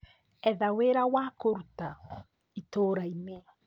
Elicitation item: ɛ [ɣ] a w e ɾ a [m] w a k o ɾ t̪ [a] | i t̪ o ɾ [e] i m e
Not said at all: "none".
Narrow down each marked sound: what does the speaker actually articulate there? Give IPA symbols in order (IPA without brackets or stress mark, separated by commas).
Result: ð, none, a, a